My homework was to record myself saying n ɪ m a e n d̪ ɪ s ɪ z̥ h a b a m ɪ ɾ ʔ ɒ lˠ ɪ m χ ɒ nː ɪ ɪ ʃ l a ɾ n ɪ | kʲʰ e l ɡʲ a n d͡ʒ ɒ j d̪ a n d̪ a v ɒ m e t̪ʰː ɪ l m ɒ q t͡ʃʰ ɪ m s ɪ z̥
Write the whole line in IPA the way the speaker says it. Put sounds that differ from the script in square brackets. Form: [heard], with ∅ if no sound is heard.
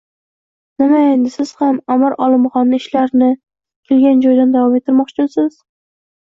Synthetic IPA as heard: n ɪ m a e n d̪ ɪ s ɪ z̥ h a [m] a m ɪ ɾ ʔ ɒ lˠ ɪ m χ ɒ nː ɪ ɪ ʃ l a ɾ n ɪ | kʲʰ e l ɡʲ a n d͡ʒ ɒ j d̪ a n d̪ a v ɒ m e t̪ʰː ɪ [ɾ] m ɒ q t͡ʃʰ ɪ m s ɪ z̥